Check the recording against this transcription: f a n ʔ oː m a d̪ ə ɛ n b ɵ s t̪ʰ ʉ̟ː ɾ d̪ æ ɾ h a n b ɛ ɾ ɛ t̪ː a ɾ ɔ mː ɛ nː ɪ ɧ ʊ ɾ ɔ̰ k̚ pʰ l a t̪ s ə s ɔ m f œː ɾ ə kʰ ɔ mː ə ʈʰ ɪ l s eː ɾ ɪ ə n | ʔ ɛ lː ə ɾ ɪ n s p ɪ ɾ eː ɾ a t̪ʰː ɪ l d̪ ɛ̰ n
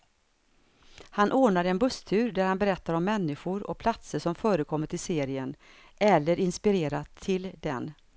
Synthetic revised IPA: h a n ʔ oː ɳ a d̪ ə ɛ n b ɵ s t̪ʰ ʉ̟ː ɾ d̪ æ ɾ h a n b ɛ ɾ ɛ t̪ː a ɾ ɔ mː ɛ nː ɪ ɧ ʊ ɾ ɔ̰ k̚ pʰ l a t̪ s ə ʂ ɔ m f œː ɾ ə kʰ ɔ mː ə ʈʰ ɪ l s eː ɾ ɪ ə n | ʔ ɛ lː ə ɾ ɪ n s p ɪ ɾ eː ɾ a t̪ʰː ɪ l d̪ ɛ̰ n